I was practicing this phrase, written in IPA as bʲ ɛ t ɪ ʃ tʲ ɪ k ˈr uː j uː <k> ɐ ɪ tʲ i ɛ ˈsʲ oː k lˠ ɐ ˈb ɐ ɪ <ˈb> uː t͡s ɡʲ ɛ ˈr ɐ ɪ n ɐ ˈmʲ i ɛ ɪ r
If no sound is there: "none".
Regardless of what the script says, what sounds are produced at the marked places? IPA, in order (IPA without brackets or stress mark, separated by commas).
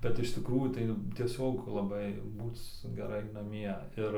t, b